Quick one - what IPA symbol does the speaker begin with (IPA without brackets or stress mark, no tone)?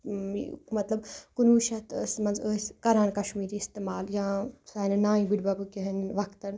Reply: m